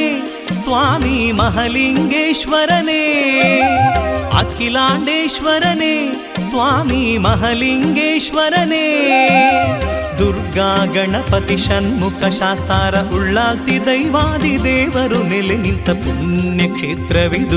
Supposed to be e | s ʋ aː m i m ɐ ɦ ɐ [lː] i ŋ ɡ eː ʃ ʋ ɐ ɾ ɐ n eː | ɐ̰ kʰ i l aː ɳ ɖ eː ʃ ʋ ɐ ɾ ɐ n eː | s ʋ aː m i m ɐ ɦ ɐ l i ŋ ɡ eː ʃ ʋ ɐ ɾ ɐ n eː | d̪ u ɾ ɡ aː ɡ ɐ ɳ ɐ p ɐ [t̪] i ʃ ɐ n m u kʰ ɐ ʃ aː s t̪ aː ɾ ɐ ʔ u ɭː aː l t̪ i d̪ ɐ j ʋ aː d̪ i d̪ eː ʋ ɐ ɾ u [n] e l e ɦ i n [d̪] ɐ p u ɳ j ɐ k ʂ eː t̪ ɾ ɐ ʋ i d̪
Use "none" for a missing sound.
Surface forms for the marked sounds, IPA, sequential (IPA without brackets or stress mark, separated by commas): l, t̪, n, t̪